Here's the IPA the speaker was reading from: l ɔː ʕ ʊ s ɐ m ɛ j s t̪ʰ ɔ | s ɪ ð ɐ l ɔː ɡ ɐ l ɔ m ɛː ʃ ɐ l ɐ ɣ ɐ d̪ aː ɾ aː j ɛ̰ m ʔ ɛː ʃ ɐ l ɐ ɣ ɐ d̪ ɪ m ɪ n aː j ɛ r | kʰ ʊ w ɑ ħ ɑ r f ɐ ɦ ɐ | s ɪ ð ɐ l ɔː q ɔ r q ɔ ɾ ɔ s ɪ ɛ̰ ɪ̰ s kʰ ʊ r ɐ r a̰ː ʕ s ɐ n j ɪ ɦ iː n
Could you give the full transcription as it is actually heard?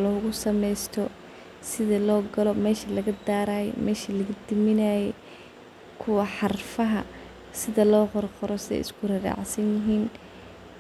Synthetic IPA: l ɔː ɣ ʊ s ɐ m ɛ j s t̪ʰ ɔ | s ɪ ð ɐ l ɔː ɡ ɐ l ɔ m ɛː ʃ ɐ l ɐ ɣ ɐ d̪ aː ɾ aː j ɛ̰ m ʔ ɛː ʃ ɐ l ɐ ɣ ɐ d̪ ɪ m ɪ n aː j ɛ | kʰ ʊ w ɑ ħ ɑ r f ɐ ɦ ɐ | s ɪ ð ɐ l ɔː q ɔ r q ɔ ɾ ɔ s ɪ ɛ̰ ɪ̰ s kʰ ʊ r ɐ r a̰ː ʕ s ɐ n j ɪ ɦ iː n

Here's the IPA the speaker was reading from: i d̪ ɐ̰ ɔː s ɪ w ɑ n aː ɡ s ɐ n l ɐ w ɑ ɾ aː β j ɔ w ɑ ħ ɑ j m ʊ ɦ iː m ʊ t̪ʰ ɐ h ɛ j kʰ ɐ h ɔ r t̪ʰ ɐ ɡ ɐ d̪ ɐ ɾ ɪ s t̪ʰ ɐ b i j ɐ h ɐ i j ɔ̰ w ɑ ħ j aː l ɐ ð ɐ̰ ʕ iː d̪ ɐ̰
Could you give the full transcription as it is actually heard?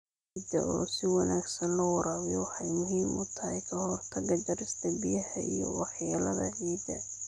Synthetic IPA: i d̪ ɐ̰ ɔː s ɪ w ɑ n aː ɡ s ɐ n l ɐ w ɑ ɾ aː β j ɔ w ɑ ħ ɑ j m ʊ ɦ iː m ʊ t̪ʰ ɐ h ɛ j kʰ ɐ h ɔ r t̪ʰ ɐ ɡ ɐ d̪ ɐ ɾ ɪ s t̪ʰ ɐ b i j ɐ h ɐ i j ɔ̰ w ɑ ħ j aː l ɐ ð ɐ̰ ʕ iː d̪ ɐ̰

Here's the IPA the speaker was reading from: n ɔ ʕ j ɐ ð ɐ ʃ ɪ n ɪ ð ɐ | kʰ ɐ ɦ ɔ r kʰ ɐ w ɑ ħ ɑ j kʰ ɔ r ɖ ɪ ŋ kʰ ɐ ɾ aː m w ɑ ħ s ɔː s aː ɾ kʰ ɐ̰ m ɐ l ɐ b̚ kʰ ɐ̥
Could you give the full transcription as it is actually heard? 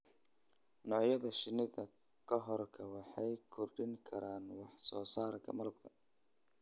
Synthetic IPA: n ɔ ʕ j ɐ ð ɐ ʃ ɪ n ɪ ð ɐ | kʰ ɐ ɦ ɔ r kʰ ɐ w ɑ ħ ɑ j kʰ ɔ r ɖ ɪ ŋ kʰ ɐ ɾ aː n w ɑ ħ s ɔː s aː ɾ kʰ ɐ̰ m ɐ l ɐ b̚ kʰ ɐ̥

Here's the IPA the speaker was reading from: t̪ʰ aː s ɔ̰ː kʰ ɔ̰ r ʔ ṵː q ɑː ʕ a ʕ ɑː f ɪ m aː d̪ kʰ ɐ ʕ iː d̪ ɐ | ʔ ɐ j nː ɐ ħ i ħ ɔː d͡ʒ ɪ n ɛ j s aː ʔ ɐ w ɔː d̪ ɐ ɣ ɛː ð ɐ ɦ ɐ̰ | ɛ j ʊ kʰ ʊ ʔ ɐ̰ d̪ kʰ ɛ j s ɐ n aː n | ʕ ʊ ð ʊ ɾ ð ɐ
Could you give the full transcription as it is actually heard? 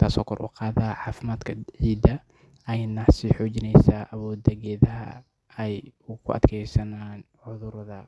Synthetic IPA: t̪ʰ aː s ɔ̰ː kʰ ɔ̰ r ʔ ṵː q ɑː ð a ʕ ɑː f ɪ m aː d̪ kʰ ɐ ʕ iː d̪ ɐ | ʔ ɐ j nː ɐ s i ħ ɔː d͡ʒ ɪ n ɛ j s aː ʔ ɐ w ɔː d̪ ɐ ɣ ɛː ð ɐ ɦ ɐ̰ | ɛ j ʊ kʰ ʊ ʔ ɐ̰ d̪ kʰ ɛ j s ɐ n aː n | ʕ ʊ ð ʊ ɾ ð ɐ

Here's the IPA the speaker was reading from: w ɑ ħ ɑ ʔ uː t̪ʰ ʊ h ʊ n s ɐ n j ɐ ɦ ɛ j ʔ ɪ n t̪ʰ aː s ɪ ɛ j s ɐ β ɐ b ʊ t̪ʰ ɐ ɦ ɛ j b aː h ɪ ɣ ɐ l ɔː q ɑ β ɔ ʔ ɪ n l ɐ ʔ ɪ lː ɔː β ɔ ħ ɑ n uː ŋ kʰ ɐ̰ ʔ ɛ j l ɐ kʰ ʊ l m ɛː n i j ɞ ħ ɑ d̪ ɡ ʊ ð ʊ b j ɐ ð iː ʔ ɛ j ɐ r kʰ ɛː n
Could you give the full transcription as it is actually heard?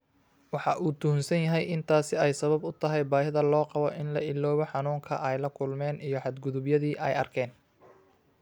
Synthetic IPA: w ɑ ħ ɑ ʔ uː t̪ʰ ʊ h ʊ n s ɐ n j ɐ ɦ ɛ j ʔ ɪ n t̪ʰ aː s ɪ ɛ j s ɐ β ɐ b ʊ t̪ʰ ɐ ɦ ɛ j b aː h ɪ ð ɐ l ɔː q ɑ β ɔ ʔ ɪ n l ɐ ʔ ɪ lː ɔː β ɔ ħ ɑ n uː ŋ kʰ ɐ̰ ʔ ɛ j l ɐ kʰ ʊ l m ɛː n i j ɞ ħ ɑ d̪ ɡ ʊ ð ʊ b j ɐ ð iː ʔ ɛ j ɐ r kʰ ɛː n

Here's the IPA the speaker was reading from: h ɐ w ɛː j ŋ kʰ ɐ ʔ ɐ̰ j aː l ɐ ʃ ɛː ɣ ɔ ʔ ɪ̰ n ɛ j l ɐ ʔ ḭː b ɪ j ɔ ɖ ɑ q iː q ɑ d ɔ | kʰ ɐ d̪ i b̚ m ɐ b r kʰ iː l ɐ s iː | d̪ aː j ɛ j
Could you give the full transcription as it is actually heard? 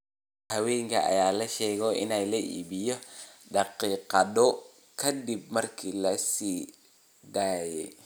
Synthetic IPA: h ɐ w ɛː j ŋ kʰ ɐ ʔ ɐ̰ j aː l ɐ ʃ ɛː ɣ ɔ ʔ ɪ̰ n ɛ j l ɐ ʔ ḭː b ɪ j ɔ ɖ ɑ q iː q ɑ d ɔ | kʰ ɐ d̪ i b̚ m ɐ r kʰ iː l ɐ s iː | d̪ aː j ɛ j

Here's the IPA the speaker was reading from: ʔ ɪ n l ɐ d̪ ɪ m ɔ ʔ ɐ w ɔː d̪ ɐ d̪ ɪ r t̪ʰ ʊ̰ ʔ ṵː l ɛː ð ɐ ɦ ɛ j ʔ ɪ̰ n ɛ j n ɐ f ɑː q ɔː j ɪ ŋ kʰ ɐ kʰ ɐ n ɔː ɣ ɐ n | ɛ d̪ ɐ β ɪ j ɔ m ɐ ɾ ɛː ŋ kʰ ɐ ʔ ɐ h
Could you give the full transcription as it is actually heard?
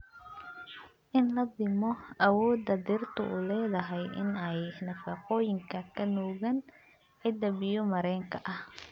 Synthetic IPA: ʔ ɪ n l ɐ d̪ ɪ m ɔ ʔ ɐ w ɔː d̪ ɐ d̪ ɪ r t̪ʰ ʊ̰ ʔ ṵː l ɛː ð ɐ ɦ ɛ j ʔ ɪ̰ n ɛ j n ɐ f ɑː q ɔː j ɪ ŋ kʰ ɐ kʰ ɐ n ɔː ɣ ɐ n | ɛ d̪ ɐ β ɪ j ɔ m ɐ ɾ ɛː ŋ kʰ ɐ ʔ ɐ h

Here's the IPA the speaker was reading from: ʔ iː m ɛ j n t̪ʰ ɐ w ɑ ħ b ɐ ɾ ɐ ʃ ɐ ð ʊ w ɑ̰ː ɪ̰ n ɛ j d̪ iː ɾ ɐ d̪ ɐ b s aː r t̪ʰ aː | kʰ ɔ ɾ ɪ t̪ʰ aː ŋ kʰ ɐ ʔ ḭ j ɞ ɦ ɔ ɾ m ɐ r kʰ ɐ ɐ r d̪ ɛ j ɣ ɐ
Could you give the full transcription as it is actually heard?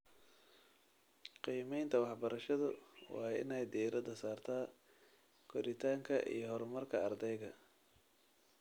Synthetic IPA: q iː m ɛ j n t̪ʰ ɐ w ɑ ħ b ɐ ɾ ɐ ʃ ɐ ð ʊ w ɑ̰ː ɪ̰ n ɛ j d̪ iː ɾ ɐ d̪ ɐ s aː r t̪ʰ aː | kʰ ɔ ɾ ɪ t̪ʰ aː ŋ kʰ ɐ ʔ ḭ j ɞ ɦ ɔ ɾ m ɐ r kʰ ɐ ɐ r d̪ ɛ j ɣ ɐ

